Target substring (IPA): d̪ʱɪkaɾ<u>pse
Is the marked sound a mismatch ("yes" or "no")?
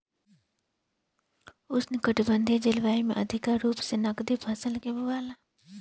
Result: yes